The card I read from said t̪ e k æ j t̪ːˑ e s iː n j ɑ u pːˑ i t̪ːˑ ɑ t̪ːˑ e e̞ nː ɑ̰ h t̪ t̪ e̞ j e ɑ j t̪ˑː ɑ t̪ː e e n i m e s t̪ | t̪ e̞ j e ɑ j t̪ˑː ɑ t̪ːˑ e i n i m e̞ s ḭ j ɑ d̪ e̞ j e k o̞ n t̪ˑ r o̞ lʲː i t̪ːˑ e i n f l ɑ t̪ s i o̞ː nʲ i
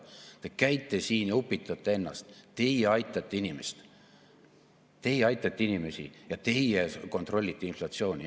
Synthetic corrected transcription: t̪ e k æ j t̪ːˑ e s iː n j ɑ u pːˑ i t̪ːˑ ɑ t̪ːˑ e e̞ nː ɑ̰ s t̪ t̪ e̞ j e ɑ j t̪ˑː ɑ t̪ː e i n i m e s t̪ | t̪ e̞ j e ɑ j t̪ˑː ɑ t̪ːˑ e i n i m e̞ s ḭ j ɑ t̪ e̞ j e k o̞ n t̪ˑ r o̞ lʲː i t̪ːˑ e i n f l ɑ t̪ s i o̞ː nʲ i